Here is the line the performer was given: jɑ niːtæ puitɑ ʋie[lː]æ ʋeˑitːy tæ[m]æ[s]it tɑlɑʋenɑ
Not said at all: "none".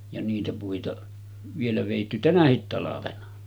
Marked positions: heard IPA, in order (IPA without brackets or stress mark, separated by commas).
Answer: l, n, h